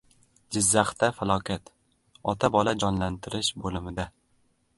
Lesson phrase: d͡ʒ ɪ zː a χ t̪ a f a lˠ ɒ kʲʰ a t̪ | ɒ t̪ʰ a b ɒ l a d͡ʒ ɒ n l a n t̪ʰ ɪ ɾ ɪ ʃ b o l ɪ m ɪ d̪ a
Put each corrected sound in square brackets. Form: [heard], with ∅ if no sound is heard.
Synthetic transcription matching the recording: d͡ʒ ɪ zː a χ t̪ a f a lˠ ɒ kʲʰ a t̪ | ɒ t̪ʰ a b ɒ l a d͡ʒ ɒ n l a n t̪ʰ ɪ ɾ ɪ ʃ b o l ɪ m ɪ d̪ a